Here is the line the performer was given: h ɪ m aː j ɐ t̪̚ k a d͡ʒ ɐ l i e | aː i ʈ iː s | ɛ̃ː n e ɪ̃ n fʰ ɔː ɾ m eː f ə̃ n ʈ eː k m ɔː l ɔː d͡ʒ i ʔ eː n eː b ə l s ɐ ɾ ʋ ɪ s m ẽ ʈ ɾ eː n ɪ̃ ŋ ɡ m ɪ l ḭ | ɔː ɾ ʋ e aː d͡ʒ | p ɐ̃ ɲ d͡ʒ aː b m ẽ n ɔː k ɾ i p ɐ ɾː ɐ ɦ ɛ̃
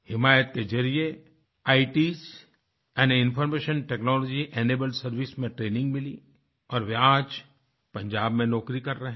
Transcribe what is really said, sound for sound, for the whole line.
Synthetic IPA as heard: h ɪ m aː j ə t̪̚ k e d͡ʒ ɐ ɾ i e | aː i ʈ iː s | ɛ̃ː n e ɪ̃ n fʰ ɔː ɾ m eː ʃ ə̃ n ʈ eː k n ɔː l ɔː d͡ʒ i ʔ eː n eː b ə l s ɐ ɾ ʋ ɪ s m ẽ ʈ ɾ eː n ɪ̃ ŋ ɡ m ɪ l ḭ | ɔː ɾ ʋ e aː d͡ʒ | p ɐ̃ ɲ d͡ʒ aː b m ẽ n ɔː k ɾ i k ɐ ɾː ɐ ɦ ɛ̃